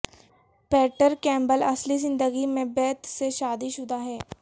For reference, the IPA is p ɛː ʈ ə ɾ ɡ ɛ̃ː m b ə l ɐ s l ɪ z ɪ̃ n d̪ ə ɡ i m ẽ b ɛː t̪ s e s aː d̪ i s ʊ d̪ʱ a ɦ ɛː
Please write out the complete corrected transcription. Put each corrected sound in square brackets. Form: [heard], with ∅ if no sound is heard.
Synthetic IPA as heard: p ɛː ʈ ə ɾ [k] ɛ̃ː m b ə l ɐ s l [i] z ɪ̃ n d̪ ə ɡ i m ẽ b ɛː t̪ s e [ʃ] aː d̪ i [ʃ] ʊ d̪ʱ a ɦ ɛː